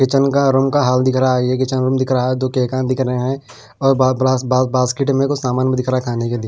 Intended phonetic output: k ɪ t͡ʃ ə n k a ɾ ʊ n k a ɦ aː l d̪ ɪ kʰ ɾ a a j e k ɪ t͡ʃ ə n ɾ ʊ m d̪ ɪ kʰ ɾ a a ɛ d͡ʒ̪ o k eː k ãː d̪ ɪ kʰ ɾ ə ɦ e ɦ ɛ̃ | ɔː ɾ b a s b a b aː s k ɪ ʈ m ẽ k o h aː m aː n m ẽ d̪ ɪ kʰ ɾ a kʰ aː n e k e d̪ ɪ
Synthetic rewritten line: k ɪ t͡ʃ ə n k a ɾ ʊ m k a ɦ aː l d̪ ɪ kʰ ɾ a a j e k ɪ t͡ʃ ə n ɾ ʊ m d̪ ɪ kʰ ɾ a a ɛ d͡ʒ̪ o k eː k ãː d̪ ɪ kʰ ɾ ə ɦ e ɦ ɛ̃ | ɔː ɾ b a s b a b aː s k ɪ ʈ m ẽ k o s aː m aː n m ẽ d̪ ɪ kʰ ɾ a kʰ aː n e k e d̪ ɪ